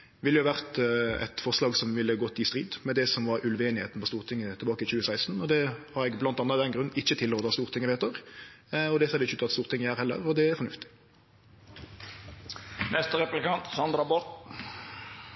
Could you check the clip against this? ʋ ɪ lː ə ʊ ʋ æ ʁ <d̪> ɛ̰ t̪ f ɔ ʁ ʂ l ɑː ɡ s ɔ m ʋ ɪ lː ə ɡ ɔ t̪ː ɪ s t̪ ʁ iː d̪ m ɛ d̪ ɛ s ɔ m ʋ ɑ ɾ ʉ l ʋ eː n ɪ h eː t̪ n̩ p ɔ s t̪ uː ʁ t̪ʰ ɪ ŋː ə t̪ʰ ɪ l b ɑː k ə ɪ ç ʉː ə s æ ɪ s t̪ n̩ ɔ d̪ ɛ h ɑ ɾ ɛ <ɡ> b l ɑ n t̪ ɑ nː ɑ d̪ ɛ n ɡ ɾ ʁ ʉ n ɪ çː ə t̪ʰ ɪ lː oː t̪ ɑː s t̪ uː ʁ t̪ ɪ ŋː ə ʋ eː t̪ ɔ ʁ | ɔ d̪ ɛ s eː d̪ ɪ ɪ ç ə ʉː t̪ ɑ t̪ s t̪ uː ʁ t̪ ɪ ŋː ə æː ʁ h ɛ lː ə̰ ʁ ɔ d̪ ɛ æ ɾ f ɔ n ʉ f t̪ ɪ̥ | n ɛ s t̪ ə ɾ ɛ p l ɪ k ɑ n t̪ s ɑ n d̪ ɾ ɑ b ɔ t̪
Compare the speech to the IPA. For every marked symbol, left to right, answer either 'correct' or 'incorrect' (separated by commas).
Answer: incorrect, correct